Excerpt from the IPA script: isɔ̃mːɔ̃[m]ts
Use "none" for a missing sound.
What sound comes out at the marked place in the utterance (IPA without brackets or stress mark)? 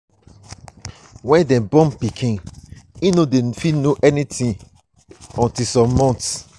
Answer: n